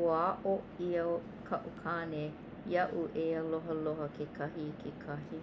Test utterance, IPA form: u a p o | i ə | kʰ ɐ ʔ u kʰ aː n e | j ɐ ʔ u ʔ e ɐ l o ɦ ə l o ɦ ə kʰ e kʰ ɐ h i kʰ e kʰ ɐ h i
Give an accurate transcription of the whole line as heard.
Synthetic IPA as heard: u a ʔ o | i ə | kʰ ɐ ʔ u kʰ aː n e | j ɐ ʔ u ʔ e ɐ l o ɦ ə l o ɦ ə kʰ e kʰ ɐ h i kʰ e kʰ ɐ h i